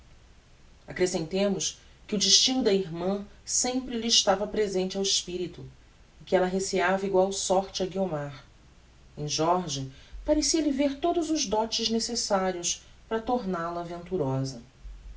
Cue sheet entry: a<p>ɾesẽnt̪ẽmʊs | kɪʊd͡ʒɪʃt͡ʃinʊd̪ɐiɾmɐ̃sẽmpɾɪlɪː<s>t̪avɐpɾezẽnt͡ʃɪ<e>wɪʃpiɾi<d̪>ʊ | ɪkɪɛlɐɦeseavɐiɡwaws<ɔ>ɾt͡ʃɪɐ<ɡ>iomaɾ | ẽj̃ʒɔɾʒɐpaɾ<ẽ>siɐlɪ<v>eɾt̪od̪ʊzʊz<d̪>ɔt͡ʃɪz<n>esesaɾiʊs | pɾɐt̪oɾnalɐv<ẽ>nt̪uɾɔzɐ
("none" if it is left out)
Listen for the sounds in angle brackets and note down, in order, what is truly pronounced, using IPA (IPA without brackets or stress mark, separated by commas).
k, ʃ, a, t̪, ɔ, ɡ, e, v, d̪, n, ẽ